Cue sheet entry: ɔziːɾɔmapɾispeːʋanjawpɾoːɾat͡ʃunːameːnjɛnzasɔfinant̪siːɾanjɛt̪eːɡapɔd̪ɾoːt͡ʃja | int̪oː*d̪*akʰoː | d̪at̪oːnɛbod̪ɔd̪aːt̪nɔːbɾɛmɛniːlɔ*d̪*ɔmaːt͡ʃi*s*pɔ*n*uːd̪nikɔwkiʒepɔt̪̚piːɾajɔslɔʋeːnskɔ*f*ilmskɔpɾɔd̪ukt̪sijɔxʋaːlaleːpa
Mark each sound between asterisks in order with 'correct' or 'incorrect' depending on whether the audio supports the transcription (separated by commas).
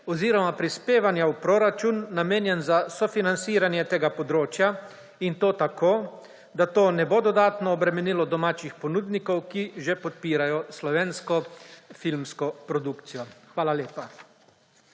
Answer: incorrect, correct, incorrect, correct, correct